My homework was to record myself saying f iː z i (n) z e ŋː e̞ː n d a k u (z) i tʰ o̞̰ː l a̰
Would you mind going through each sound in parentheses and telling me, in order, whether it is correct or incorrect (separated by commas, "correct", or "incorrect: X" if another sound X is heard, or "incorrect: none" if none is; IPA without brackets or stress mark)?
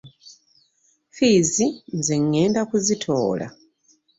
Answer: correct, correct